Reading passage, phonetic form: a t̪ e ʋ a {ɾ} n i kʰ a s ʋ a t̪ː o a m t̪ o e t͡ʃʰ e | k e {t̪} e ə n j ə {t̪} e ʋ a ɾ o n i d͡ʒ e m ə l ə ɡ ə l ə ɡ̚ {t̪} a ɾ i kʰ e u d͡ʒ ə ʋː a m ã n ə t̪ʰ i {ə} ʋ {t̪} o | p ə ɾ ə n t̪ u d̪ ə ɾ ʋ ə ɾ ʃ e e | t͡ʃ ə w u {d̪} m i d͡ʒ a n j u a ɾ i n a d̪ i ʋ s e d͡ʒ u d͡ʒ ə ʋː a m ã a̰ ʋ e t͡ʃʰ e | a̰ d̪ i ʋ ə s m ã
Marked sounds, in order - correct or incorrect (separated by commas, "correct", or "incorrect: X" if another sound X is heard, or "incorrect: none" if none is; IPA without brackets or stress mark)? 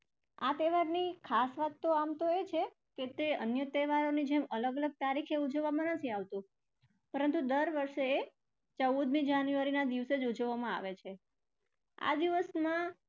correct, correct, correct, correct, incorrect: a, correct, correct